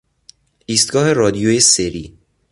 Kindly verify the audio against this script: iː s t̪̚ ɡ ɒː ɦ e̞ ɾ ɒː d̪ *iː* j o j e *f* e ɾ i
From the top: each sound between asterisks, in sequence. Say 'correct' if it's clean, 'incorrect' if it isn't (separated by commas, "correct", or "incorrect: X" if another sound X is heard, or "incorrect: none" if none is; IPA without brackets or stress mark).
incorrect: i, incorrect: s